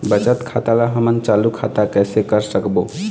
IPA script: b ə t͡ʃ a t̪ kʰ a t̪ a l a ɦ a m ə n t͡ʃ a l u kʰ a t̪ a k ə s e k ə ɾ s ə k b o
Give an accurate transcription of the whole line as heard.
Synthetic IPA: b ə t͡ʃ ə t̪ kʰ a t̪ a l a ɦ ə m ə n t͡ʃ a l u kʰ a t̪ a k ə s e k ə ɾ s ə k b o